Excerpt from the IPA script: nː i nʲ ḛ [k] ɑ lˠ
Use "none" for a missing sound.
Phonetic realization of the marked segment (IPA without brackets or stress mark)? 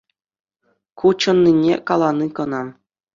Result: k